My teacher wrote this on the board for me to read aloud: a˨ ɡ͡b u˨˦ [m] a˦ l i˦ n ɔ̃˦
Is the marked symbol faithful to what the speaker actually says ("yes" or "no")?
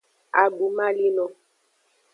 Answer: yes